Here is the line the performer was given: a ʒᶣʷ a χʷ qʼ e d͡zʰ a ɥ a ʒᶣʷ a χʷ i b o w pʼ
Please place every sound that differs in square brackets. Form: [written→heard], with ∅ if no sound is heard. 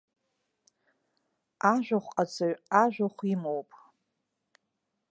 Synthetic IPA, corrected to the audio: a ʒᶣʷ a χʷ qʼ [e→a] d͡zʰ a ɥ a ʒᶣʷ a χʷ i [b→m] o w pʼ